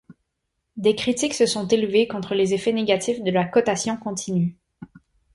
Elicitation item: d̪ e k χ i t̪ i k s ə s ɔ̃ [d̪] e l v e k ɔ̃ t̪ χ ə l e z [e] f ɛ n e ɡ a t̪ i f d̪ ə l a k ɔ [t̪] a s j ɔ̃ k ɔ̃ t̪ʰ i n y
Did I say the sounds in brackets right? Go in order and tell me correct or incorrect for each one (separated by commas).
incorrect, correct, correct